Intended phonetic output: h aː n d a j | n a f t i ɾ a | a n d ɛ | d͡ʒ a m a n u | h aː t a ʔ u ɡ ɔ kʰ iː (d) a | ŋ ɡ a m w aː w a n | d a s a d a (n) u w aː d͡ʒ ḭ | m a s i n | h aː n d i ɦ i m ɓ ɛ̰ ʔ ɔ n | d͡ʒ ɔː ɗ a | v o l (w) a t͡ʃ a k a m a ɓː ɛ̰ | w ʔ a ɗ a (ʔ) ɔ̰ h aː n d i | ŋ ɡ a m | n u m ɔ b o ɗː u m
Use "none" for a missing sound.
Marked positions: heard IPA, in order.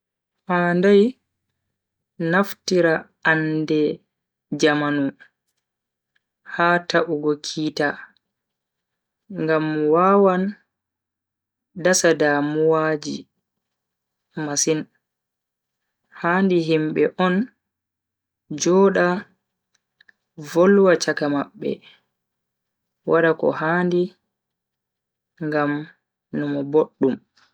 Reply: t, m, w, k

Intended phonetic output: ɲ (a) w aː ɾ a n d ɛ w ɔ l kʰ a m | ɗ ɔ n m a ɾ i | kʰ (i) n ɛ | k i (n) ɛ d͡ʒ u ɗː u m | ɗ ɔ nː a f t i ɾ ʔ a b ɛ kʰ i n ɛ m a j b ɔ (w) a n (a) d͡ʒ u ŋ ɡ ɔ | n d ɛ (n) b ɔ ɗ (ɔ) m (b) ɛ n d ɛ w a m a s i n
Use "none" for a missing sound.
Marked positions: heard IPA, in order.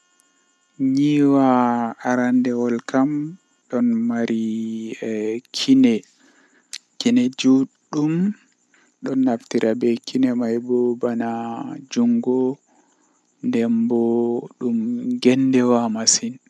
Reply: i, i, n, b, a, m, u, ɡ

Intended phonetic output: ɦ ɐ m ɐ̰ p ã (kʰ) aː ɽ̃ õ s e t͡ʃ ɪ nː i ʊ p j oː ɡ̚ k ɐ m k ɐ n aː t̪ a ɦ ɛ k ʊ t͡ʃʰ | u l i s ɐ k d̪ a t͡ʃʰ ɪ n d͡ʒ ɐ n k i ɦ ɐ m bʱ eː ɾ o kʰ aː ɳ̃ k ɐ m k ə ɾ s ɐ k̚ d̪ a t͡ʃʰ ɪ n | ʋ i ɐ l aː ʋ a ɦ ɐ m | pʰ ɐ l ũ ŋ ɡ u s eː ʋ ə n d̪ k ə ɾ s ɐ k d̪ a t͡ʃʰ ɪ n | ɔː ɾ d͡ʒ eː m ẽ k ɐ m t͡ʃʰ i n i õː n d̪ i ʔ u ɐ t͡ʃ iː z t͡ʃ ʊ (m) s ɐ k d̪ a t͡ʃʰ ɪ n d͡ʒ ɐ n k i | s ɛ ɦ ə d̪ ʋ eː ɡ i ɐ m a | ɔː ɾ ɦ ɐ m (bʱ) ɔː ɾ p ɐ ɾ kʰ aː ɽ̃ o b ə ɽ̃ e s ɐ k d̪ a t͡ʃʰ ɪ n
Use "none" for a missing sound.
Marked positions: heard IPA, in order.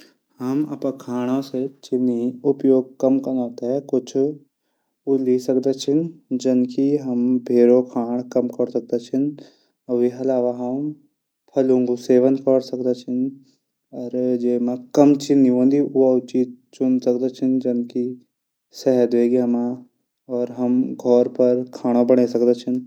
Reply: kʰ, n, ɡʱ

